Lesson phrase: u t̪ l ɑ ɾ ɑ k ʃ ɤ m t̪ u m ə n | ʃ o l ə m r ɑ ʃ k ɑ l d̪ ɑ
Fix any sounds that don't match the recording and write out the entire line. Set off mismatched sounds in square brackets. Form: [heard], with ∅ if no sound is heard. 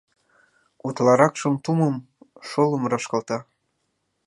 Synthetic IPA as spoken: u t̪ l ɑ ɾ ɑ k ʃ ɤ m t̪ u m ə [m] | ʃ o l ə m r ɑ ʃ k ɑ l [t̪] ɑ